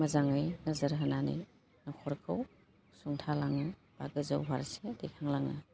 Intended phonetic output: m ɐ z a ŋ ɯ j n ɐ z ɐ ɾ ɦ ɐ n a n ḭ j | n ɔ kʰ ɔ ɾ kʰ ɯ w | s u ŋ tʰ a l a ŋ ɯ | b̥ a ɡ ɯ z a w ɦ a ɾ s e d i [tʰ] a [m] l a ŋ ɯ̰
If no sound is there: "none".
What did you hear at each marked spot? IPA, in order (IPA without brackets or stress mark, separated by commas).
kʰ, ŋ